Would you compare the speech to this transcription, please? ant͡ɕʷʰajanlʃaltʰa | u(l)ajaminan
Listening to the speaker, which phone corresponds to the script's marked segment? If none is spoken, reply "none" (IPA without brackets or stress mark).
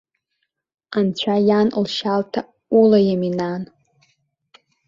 l